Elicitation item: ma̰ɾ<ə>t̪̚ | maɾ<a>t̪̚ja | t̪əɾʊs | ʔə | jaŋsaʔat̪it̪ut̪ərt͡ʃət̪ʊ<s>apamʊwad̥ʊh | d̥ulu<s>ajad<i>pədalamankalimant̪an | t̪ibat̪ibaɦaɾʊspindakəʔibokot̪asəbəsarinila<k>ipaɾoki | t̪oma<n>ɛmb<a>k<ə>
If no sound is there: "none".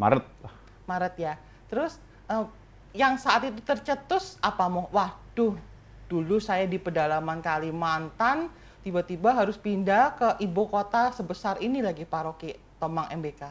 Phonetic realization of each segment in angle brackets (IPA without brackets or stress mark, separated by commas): ə, ə, s, s, i, ɡ, ŋ, e, a